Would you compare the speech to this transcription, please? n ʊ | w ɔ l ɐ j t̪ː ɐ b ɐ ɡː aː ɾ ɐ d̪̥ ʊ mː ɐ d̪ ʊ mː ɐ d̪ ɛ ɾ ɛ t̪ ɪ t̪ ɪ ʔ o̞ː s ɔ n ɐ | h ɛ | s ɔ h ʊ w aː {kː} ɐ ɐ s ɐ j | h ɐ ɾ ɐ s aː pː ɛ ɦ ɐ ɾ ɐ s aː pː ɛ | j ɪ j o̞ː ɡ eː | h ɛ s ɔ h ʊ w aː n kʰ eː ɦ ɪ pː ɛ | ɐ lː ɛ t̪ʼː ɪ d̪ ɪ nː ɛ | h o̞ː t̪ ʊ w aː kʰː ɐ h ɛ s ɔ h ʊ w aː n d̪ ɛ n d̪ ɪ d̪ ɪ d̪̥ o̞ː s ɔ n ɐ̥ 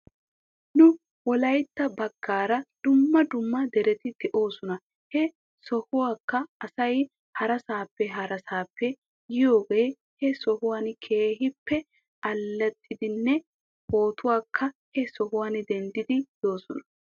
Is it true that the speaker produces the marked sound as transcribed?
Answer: yes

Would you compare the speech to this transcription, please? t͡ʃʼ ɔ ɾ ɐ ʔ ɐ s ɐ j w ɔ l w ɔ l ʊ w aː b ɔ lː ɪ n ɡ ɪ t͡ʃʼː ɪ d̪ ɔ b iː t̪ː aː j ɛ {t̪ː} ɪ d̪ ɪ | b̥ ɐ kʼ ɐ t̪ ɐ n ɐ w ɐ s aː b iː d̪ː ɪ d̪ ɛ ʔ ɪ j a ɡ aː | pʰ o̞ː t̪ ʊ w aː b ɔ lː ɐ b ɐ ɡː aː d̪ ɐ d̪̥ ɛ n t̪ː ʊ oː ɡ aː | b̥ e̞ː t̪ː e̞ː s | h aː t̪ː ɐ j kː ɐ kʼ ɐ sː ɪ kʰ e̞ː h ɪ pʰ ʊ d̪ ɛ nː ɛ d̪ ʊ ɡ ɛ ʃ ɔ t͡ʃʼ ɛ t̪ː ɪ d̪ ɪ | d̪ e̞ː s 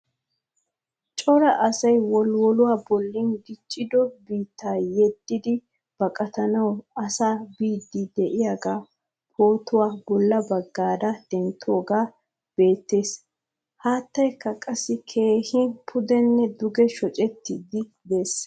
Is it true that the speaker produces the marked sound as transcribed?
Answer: no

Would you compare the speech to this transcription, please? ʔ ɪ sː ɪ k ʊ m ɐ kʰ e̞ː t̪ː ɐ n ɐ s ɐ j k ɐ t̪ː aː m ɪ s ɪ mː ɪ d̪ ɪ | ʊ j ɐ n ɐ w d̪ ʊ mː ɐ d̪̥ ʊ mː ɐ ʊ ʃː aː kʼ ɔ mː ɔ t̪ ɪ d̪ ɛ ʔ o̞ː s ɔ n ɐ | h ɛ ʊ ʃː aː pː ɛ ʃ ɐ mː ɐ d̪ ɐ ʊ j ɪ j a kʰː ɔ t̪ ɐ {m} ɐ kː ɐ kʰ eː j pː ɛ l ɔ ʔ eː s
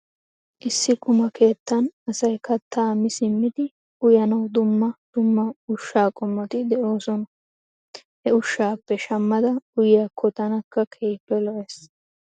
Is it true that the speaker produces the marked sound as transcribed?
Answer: no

